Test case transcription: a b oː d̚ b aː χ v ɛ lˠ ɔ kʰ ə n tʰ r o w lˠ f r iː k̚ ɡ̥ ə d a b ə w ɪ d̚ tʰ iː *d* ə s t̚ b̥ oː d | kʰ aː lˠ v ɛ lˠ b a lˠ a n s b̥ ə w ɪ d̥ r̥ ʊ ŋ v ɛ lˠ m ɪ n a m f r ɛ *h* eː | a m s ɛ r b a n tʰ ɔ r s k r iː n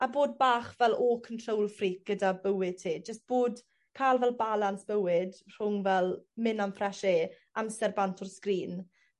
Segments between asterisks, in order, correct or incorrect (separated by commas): incorrect, incorrect